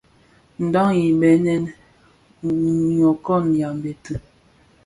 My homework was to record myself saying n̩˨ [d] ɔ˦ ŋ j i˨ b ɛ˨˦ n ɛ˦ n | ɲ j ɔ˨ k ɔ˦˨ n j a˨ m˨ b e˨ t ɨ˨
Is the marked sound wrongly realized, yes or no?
no